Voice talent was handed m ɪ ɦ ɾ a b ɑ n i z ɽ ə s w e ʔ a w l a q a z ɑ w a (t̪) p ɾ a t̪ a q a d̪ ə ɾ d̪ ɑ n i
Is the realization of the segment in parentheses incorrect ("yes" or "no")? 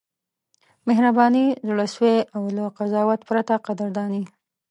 no